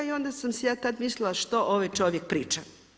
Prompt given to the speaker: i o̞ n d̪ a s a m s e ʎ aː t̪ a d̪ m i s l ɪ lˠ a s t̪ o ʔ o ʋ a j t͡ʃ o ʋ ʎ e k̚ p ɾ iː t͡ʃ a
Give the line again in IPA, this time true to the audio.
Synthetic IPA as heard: i o̞ n d̪ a s a m s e j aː t̪ a d̪ m i s l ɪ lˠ a ʃ t̪ o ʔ o ʋ a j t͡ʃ o ʋ j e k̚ p ɾ iː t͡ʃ a